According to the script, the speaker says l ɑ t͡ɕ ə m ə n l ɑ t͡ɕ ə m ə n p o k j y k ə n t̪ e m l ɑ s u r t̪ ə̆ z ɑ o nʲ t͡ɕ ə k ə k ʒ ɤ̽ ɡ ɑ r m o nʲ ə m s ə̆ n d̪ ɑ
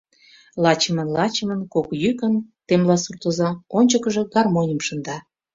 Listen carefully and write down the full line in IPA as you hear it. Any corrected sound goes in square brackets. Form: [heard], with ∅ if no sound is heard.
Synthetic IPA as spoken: l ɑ t͡ɕ ə m ə n l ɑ t͡ɕ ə m ə n [k] o k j y k ə n t̪ e m l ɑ s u r t̪ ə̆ z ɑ o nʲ t͡ɕ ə k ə [∅] ʒ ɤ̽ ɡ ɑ r m o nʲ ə m [ʃ] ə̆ n d̪ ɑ